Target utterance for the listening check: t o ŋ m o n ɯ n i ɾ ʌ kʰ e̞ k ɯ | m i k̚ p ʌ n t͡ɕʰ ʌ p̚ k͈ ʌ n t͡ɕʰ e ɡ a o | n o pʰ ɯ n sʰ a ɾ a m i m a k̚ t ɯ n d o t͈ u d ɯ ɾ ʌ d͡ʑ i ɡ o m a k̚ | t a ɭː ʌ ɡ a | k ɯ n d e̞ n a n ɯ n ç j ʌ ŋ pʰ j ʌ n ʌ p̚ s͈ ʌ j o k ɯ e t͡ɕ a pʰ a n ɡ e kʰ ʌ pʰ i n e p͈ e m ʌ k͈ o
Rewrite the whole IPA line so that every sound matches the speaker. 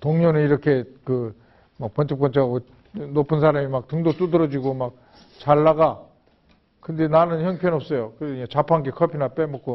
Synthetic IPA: t o ŋ ɲ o n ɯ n i ɾ ʌ kʰ e̞ k ɯ | m a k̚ p ʌ n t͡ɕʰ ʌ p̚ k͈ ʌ n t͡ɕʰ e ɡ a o | n o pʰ ɯ n sʰ a ɾ a m i m a k̚ t ɯ ŋ d o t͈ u d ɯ ɾ ʌ d͡ʑ i ɡ o m a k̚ | t͡ɕ a ɭː a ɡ a | k ɯ n d e̞ n a n ɯ n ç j ʌ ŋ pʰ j ʌ n ʌ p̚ s͈ ʌ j o k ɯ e t͡ɕ a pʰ a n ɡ e kʰ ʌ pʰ i n a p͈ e m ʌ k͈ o